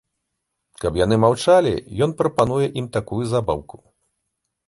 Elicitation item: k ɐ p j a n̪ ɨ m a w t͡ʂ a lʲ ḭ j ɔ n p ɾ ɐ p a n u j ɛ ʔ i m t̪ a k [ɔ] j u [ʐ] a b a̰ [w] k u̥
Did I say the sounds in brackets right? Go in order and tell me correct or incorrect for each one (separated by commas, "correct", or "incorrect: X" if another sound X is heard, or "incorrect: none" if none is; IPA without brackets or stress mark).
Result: incorrect: u, incorrect: z, correct